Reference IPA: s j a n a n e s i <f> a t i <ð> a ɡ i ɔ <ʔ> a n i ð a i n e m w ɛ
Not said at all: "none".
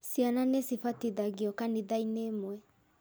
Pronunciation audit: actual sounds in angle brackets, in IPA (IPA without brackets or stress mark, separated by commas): f, ð, k